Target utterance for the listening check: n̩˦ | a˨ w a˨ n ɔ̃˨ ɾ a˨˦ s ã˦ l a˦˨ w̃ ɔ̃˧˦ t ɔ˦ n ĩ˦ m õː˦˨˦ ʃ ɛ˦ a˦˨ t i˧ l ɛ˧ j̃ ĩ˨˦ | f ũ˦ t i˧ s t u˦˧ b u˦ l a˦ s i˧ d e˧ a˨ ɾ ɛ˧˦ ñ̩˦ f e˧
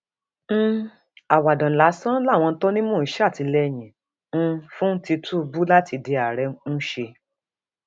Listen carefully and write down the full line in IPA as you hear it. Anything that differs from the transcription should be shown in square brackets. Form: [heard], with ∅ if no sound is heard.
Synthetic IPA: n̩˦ | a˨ w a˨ [d] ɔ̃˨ [l] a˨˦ s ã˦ l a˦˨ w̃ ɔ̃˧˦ t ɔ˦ n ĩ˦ m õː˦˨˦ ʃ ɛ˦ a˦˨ t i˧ l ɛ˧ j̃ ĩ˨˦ | f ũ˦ t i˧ [∅] t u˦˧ b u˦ l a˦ [t] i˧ d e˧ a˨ ɾ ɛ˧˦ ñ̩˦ [ʃ] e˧